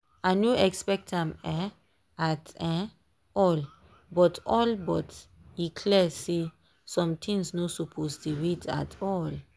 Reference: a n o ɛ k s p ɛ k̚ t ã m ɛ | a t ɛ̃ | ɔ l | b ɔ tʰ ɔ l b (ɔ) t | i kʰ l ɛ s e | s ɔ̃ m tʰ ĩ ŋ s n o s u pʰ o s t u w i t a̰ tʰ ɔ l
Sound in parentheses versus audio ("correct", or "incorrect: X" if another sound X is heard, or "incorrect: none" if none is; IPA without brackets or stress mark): correct